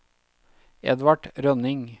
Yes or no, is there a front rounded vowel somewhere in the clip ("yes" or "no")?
yes